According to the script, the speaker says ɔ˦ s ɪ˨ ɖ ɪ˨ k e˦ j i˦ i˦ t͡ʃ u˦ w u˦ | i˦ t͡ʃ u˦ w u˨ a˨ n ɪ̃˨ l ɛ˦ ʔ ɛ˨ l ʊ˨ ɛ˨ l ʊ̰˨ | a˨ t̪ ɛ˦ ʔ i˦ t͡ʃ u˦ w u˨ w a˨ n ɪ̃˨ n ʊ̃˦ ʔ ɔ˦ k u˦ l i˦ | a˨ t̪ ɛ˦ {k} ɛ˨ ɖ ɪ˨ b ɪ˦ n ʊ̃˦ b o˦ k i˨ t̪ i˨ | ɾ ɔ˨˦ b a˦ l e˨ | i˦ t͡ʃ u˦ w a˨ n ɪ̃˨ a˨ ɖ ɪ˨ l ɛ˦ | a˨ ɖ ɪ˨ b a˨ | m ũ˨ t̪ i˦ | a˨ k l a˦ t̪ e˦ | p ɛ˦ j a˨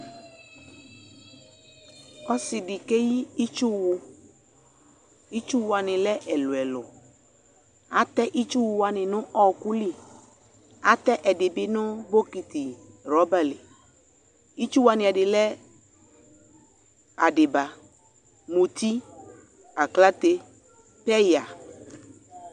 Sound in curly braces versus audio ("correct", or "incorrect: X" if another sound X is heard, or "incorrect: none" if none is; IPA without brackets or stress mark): incorrect: ʔ